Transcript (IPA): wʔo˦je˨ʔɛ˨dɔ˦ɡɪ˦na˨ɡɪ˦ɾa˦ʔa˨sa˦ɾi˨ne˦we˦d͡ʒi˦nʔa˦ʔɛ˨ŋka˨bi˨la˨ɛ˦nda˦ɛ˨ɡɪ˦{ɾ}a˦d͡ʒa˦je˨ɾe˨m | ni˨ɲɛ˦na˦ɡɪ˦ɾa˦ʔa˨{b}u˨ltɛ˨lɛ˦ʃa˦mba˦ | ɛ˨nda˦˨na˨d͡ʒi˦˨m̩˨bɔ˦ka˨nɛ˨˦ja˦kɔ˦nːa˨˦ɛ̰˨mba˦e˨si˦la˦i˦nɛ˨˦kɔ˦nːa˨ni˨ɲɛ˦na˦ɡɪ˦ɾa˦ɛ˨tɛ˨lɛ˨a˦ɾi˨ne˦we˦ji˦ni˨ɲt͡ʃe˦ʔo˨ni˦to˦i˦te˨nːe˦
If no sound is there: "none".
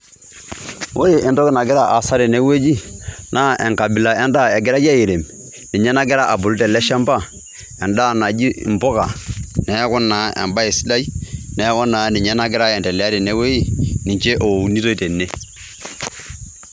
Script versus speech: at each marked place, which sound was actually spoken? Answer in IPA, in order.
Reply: ɾ, b

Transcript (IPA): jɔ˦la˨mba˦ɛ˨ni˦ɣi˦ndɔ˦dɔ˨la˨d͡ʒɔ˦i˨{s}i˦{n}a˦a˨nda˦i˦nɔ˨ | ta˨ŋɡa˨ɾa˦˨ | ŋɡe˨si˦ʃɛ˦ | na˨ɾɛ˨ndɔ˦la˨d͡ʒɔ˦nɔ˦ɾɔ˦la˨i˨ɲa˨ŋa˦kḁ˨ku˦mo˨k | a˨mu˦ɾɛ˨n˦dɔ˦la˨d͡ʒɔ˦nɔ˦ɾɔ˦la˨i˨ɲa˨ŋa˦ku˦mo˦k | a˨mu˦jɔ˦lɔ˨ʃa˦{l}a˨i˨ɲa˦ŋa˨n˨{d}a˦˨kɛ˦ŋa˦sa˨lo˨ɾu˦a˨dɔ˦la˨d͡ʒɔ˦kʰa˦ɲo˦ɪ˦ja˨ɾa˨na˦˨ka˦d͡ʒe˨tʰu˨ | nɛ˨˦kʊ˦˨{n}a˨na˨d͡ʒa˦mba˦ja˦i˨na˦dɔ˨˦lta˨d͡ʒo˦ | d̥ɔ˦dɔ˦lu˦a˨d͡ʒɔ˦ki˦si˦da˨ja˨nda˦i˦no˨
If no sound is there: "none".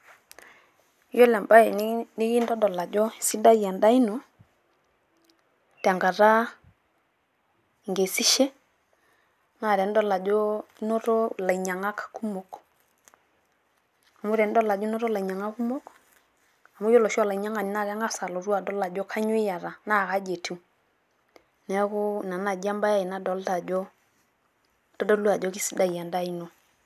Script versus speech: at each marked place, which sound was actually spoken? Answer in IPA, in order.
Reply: s, d, l, n, n

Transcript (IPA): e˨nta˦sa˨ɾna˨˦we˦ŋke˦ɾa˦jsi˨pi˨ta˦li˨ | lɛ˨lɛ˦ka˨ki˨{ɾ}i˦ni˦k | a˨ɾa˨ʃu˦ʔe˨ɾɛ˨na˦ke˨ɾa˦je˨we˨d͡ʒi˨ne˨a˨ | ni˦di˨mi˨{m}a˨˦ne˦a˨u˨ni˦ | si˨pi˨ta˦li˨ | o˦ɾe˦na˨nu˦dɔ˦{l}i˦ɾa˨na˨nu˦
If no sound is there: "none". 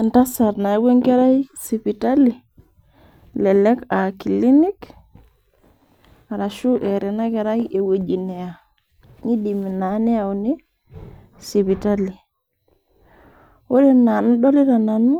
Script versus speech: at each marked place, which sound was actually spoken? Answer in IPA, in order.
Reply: l, n, l

